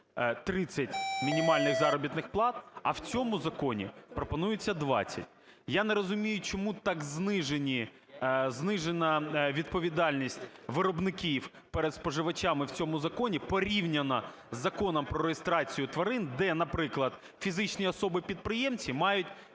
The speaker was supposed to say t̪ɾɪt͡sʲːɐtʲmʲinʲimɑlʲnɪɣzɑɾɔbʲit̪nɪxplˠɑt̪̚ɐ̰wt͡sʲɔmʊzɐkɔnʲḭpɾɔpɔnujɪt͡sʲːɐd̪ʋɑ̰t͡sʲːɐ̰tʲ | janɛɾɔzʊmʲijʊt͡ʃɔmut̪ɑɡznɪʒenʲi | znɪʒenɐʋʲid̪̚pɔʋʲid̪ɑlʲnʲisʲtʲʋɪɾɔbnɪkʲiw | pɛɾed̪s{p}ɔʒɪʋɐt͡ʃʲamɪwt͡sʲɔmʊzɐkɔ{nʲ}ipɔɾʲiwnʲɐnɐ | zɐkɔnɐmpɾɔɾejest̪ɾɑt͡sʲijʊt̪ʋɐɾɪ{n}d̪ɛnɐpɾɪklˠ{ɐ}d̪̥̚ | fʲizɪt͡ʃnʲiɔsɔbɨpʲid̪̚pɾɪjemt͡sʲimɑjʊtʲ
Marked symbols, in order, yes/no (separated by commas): yes, yes, yes, yes